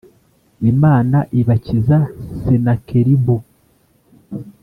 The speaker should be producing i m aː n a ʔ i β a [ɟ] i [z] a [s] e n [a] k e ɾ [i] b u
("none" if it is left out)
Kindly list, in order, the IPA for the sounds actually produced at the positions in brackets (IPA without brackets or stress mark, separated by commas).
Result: c, z, s, a, i